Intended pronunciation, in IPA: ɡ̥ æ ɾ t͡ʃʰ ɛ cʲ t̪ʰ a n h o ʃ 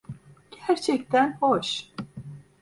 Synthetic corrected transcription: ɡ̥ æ ɾ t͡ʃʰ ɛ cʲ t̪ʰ æ n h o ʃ